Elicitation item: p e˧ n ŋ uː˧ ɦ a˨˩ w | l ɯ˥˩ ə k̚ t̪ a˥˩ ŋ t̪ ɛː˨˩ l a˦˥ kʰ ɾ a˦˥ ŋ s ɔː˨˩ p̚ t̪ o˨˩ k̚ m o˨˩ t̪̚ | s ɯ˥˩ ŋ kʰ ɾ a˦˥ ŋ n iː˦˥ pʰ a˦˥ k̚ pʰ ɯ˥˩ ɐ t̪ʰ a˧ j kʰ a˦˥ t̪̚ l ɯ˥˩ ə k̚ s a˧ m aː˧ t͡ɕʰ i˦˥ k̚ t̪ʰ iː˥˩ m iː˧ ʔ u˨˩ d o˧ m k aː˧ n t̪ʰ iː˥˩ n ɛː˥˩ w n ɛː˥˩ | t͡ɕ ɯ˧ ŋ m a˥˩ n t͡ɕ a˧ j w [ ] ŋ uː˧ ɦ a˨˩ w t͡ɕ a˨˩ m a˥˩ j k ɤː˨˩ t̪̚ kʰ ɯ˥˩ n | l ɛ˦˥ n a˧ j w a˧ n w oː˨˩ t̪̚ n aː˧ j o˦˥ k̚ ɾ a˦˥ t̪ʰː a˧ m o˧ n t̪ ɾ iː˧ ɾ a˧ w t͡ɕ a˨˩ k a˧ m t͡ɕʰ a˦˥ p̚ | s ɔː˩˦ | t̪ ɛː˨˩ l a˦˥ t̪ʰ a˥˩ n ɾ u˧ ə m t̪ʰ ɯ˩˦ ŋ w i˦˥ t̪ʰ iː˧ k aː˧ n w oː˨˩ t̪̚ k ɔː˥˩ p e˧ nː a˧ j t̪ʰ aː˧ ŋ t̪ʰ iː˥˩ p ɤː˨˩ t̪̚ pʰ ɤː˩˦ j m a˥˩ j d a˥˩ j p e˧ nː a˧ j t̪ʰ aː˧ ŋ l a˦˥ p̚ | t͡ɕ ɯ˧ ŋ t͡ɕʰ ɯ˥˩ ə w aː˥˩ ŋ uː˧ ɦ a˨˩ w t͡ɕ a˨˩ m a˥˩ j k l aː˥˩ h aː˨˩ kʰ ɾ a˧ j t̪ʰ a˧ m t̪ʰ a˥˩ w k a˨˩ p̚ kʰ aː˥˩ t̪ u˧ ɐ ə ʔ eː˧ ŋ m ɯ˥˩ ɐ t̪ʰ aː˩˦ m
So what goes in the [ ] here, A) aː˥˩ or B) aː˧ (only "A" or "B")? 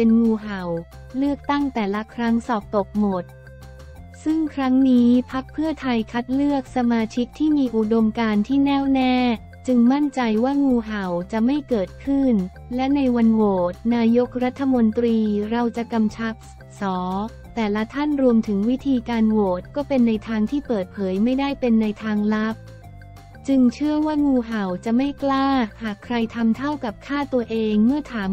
A